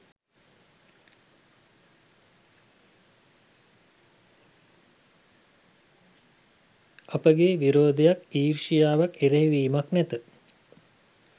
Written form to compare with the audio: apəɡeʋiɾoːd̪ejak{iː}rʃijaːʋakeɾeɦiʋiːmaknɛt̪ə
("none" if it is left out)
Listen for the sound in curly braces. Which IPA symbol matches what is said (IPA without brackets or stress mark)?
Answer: iː